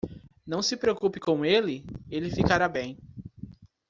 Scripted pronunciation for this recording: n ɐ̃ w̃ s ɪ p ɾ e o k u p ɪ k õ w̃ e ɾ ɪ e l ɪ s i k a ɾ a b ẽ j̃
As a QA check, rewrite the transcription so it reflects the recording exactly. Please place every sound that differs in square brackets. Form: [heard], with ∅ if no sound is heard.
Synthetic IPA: n ɐ̃ w̃ s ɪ p ɾ e o k u p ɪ k õ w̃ e [l] ɪ e l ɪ [f] i k a ɾ a b ẽ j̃